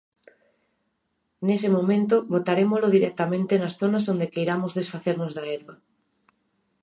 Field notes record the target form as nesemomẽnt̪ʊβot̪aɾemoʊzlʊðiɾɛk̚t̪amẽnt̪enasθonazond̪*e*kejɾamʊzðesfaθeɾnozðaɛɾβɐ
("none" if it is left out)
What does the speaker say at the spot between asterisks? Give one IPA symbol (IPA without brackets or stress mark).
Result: e